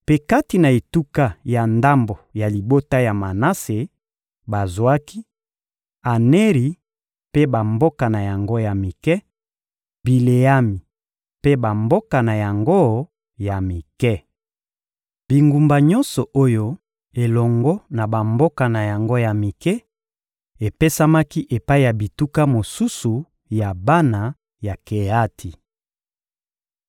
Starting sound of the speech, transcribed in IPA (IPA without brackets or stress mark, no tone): p